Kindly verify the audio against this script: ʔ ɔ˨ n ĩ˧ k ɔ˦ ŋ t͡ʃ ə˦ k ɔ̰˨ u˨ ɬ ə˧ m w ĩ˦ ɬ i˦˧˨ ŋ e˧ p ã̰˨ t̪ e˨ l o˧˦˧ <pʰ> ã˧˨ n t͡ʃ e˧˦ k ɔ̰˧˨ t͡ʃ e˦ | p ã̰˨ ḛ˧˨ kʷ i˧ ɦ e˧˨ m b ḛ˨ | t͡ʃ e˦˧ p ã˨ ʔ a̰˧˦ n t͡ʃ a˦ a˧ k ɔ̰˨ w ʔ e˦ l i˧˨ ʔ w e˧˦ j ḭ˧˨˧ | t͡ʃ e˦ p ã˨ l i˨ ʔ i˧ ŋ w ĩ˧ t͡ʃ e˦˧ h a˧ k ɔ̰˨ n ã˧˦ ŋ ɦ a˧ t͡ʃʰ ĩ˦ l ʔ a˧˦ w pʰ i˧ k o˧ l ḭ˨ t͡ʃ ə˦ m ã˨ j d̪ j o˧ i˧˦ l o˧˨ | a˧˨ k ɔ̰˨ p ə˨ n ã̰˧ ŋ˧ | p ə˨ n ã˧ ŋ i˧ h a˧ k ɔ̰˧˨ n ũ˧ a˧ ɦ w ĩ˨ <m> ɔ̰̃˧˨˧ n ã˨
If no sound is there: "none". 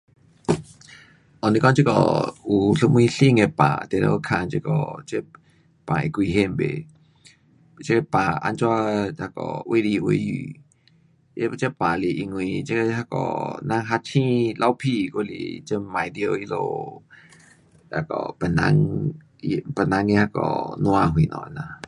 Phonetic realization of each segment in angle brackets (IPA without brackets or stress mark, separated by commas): kʰ, n